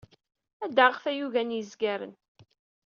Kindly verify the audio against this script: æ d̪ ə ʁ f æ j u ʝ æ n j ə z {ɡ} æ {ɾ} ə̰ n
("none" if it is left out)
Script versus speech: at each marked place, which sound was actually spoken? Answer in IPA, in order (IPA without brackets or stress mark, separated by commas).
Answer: ɡ, ɾ